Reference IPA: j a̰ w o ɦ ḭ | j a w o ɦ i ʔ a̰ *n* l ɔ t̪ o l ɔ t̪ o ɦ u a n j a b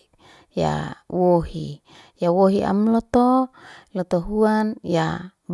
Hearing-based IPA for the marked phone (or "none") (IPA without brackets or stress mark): m